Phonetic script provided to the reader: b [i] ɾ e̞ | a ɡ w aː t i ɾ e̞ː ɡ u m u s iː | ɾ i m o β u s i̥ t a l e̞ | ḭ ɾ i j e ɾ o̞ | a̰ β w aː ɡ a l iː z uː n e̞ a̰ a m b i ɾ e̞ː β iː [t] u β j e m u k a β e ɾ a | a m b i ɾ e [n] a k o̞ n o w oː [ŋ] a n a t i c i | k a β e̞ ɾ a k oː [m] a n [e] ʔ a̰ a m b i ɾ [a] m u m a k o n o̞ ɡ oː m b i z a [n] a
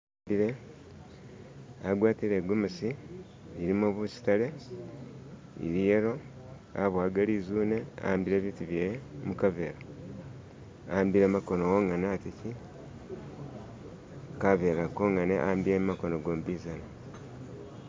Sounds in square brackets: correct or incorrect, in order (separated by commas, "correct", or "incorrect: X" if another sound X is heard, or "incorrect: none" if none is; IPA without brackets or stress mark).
correct, correct, incorrect: m, correct, incorrect: ŋ, correct, incorrect: e, correct